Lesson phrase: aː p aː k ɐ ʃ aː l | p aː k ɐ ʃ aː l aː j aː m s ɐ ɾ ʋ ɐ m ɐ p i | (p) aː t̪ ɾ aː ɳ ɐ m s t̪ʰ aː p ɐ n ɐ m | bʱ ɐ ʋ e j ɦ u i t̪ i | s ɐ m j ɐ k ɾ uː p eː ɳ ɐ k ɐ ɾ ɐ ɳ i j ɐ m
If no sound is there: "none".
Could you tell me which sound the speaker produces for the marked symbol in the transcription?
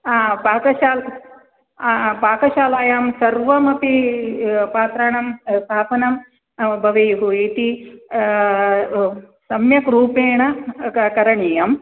p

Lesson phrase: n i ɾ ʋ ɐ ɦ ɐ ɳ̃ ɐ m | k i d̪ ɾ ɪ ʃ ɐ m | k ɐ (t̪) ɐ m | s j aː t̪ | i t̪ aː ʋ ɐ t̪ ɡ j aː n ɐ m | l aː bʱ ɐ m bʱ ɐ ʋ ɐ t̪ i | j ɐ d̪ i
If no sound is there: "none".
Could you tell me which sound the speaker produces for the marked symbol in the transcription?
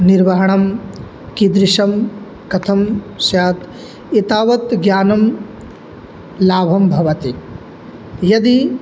t̪ʰ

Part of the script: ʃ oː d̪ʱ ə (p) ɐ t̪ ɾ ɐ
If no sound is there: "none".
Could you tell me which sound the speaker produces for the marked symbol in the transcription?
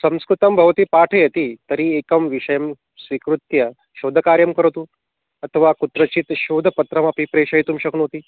p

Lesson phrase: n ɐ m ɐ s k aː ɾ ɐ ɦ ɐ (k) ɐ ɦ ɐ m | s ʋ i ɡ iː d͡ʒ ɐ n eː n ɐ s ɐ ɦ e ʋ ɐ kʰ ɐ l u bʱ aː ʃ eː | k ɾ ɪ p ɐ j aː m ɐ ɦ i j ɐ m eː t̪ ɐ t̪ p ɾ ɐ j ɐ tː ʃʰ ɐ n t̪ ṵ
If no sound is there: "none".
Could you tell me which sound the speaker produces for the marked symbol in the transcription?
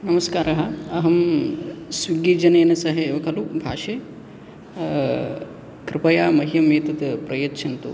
none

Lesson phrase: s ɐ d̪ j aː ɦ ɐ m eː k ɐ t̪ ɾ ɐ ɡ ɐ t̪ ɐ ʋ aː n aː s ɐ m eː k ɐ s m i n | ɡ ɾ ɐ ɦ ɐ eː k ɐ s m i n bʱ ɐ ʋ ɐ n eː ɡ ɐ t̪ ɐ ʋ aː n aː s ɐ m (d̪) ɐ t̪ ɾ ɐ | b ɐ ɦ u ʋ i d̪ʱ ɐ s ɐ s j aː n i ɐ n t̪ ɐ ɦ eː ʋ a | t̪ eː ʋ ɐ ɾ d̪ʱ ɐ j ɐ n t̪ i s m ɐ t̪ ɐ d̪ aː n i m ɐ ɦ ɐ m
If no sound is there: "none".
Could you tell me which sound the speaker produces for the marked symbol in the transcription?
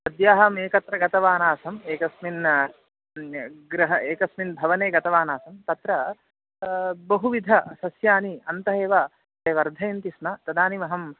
t̪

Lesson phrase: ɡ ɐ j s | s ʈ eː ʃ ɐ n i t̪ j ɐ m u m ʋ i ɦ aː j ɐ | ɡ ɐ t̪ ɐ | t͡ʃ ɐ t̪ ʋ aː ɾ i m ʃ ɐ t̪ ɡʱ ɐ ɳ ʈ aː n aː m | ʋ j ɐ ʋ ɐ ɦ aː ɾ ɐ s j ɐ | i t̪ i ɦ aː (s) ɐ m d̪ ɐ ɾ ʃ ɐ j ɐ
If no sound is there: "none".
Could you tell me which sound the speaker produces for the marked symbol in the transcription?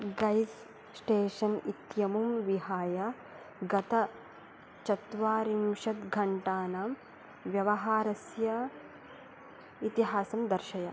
s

